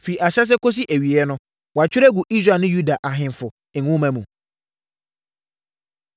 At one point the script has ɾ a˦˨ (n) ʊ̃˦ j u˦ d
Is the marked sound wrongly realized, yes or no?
no